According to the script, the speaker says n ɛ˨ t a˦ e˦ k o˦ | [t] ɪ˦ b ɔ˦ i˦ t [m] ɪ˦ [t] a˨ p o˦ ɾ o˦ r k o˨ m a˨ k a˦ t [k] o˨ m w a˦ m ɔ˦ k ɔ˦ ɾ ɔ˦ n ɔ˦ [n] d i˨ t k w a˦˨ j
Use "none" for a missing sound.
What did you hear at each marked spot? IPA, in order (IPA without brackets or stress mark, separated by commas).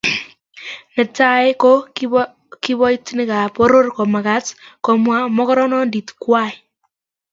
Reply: k, n, k, k, n